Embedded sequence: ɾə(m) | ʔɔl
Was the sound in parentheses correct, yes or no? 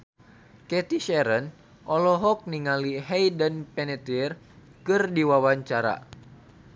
no